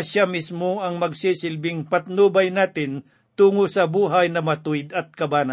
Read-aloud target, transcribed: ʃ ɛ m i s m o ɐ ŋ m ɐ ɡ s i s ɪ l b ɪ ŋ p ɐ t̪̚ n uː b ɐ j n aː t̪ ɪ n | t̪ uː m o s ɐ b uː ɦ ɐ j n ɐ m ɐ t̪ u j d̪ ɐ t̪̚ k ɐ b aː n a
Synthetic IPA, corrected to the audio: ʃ a m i s m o ɐ ŋ m ɐ ɡ s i s ɪ l b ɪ ŋ p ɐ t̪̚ n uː b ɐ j n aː t̪ ɪ n | t̪ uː ŋ o s ɐ b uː ɦ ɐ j n ɐ m ɐ t̪ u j d̪ ɐ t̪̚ k ɐ b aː n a